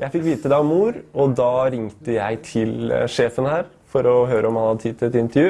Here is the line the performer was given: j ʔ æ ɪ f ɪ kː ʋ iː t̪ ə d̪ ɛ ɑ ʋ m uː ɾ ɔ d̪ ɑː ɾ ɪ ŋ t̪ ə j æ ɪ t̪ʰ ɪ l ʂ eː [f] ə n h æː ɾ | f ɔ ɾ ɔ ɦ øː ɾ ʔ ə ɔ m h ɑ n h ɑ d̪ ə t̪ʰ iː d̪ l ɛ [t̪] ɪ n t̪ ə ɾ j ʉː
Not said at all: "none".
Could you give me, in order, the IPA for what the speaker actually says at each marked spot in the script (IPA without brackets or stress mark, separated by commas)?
f, t̪